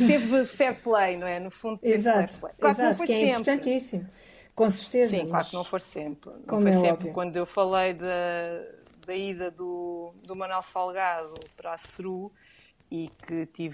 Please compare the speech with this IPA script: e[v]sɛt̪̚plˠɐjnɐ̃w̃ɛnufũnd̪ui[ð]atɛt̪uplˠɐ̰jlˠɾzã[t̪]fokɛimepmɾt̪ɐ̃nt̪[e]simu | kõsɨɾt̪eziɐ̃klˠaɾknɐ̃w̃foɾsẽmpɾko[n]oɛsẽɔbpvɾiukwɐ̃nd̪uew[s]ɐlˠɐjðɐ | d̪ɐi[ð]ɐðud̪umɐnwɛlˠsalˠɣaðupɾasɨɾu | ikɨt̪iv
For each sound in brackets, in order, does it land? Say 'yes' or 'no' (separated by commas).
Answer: yes, no, yes, no, no, no, yes